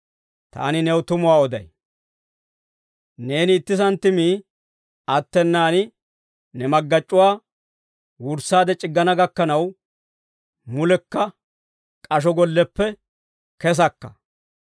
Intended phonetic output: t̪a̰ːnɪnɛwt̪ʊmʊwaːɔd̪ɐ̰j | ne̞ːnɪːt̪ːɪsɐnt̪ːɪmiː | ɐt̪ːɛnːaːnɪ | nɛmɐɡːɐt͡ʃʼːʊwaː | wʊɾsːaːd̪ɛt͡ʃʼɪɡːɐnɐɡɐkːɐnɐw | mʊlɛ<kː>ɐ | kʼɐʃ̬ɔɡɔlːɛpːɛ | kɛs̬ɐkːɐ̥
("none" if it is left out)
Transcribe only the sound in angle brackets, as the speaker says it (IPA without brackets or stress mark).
kː